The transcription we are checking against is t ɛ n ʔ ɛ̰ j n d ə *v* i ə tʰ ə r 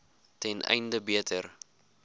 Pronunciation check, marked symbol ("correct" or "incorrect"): incorrect